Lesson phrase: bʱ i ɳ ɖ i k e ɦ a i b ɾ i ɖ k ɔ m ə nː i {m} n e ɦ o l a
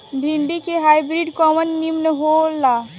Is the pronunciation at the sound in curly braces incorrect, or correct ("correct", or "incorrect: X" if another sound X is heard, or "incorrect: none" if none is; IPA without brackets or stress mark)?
correct